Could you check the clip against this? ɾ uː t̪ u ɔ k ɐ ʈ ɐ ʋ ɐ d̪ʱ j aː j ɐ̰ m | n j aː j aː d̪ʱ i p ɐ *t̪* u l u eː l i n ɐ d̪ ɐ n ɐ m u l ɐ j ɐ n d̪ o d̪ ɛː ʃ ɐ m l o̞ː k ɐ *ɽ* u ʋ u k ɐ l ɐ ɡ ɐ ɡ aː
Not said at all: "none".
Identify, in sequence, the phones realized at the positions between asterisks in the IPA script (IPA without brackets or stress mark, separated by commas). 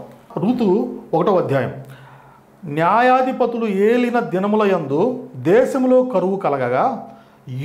t̪, ɾ